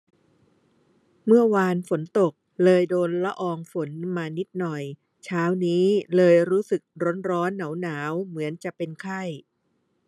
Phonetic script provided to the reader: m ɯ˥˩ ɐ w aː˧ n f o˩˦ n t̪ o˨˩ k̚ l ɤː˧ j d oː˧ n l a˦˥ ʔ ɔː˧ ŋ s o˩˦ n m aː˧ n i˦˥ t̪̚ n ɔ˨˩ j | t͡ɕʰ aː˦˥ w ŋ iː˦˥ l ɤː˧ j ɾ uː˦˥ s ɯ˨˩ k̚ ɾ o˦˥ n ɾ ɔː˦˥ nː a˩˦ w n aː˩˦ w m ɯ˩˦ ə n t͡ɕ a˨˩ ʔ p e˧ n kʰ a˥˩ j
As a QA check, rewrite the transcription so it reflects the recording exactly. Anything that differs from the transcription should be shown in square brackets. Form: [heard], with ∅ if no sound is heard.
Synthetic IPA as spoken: m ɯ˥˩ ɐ w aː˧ n f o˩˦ n t̪ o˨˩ k̚ l ɤː˧ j d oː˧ n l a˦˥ ʔ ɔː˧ ŋ [f] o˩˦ n m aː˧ n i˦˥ t̪̚ n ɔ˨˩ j | t͡ɕʰ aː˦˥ w [n] iː˦˥ l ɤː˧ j ɾ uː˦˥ s ɯ˨˩ k̚ ɾ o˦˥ n ɾ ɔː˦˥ nː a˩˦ w n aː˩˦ w m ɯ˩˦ ə n t͡ɕ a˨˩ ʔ p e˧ n kʰ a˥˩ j